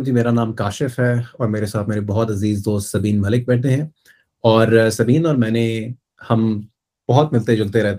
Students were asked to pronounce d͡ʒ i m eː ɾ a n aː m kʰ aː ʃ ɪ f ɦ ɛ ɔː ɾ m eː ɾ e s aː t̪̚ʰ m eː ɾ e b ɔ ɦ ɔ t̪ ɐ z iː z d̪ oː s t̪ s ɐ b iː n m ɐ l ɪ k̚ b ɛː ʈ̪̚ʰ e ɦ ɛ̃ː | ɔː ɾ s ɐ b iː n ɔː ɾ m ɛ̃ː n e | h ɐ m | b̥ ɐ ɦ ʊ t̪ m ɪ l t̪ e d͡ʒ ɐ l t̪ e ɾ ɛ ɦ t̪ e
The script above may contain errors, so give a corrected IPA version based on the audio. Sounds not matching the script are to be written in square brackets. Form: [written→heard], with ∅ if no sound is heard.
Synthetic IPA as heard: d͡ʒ i m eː ɾ a n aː m [kʰ→k] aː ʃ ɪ f ɦ ɛ ɔː ɾ m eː ɾ e s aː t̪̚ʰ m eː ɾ e b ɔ ɦ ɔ t̪ ɐ z iː z d̪ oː s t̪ s ɐ b iː n m ɐ l ɪ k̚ b ɛː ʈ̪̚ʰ e ɦ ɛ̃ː | ɔː ɾ s ɐ b iː n ɔː ɾ m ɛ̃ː n e | h ɐ m | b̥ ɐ ɦ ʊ t̪ m ɪ l t̪ e d͡ʒ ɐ l t̪ e ɾ ɛ ɦ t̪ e